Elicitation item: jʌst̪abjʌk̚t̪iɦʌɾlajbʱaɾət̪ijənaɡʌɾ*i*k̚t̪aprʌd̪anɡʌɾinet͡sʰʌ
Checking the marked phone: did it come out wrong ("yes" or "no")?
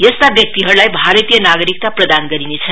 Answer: no